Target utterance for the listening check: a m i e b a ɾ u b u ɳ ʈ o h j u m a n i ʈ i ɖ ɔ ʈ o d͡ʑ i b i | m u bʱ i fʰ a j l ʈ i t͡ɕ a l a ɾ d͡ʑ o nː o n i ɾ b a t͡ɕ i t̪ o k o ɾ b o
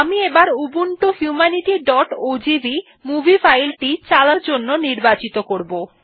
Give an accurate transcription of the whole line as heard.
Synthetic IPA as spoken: a m i e b a ɾ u b u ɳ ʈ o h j u m a n i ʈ i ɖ ɔ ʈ o d͡ʑ i b i | m u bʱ i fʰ a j l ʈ i t͡ɕ a l a ɾ d͡ʑ o nː o n i ɾ b a t͡ɕ i t̪ o k o ɾ b o